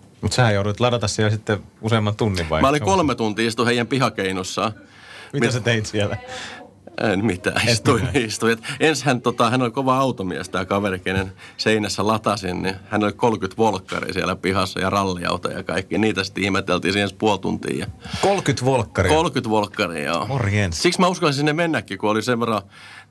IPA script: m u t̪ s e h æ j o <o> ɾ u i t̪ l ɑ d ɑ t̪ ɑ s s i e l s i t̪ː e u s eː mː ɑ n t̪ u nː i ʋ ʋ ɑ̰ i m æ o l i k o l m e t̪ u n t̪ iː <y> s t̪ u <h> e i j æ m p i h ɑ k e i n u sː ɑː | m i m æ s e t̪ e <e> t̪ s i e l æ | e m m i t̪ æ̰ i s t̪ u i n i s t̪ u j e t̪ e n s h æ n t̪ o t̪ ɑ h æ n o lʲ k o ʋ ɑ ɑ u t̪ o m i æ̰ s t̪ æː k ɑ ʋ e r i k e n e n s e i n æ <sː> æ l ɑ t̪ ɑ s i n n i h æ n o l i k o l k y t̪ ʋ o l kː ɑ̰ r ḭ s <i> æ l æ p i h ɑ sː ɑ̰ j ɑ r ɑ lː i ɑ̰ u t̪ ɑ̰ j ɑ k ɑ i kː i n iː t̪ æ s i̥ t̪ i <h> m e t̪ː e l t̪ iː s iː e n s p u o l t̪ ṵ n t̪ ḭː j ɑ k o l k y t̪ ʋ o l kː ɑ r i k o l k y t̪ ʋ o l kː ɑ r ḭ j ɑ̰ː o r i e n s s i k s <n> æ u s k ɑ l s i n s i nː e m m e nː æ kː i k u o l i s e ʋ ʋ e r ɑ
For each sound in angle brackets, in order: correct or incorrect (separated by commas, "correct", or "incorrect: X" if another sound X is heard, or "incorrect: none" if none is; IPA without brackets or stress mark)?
incorrect: u, incorrect: i, correct, incorrect: i, correct, correct, correct, incorrect: m